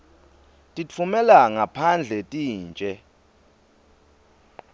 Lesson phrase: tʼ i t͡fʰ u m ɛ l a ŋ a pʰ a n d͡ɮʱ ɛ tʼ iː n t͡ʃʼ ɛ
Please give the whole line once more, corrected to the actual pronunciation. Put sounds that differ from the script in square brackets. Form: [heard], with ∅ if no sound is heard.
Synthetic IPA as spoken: tʼ i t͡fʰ u m ɛ l a ŋ a pʰ a n d͡ɮʱ ɛ tʼ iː n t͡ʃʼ ɛ